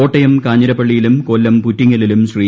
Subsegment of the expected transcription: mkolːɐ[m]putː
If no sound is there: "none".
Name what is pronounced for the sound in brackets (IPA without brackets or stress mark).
m